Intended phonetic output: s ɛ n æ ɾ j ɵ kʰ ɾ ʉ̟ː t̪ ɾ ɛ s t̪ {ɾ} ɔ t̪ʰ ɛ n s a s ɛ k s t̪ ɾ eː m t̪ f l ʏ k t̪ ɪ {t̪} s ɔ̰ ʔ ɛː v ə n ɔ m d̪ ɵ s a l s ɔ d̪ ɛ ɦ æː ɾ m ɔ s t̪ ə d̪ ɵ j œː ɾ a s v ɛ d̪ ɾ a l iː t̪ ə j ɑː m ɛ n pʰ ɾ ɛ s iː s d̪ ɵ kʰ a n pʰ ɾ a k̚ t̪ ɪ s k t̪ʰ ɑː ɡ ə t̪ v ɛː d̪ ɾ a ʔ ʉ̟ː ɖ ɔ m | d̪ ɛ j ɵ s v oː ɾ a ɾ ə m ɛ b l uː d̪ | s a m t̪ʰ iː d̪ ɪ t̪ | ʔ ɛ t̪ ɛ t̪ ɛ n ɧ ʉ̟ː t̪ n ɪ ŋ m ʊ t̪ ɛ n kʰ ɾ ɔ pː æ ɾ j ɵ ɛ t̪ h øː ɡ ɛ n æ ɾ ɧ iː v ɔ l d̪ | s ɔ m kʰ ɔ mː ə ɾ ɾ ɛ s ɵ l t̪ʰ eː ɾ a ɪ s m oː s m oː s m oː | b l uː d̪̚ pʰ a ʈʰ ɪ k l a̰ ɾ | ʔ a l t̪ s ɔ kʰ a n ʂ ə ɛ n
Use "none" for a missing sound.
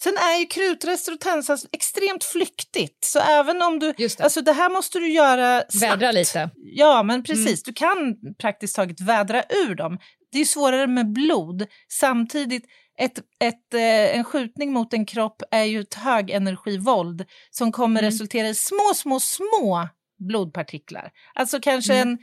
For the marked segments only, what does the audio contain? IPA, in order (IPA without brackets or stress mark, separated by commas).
ɾ, t̪